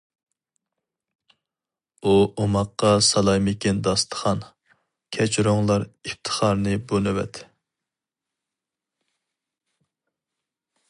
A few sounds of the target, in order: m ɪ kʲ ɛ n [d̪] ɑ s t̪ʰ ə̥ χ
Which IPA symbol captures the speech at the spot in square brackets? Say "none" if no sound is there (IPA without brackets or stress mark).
d̪